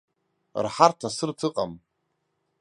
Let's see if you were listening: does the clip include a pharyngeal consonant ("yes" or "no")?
yes